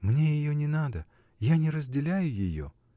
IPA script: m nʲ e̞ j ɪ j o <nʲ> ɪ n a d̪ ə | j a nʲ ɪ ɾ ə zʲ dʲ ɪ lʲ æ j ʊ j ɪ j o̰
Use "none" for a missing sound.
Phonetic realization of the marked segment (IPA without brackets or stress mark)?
nʲ